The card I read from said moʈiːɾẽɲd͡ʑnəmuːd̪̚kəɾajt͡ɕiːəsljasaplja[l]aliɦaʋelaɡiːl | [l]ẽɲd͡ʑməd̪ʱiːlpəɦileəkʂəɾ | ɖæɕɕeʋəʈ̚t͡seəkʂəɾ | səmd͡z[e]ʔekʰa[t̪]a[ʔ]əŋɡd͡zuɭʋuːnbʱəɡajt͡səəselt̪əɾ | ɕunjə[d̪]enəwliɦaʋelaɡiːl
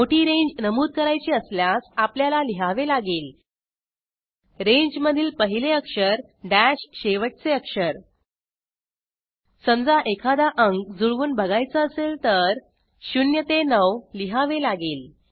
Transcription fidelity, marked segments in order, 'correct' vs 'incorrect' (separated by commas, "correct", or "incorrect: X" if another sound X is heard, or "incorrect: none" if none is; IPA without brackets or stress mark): correct, incorrect: ɾ, incorrect: a, incorrect: d̪, correct, incorrect: t̪